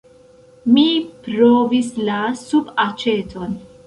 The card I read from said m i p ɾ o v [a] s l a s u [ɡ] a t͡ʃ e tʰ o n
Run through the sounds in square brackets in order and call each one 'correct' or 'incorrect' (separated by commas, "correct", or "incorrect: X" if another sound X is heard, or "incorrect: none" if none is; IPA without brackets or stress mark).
incorrect: i, incorrect: b